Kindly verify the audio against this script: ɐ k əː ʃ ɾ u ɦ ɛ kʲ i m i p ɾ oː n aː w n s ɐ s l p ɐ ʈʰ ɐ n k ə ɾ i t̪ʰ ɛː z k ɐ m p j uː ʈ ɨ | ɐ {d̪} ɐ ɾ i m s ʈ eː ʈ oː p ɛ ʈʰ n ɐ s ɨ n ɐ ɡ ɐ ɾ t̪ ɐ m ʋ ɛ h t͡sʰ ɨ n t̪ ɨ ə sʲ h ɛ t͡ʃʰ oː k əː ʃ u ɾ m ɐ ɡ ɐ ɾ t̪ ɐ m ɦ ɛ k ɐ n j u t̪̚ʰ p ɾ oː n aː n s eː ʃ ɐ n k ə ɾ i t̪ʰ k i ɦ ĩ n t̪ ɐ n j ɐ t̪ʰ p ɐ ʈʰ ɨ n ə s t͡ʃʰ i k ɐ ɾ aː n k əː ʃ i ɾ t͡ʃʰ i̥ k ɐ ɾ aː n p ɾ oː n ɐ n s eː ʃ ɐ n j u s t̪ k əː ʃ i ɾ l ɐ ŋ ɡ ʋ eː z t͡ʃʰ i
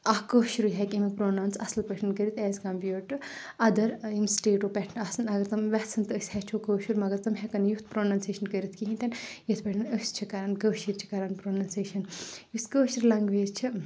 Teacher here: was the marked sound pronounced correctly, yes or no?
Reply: yes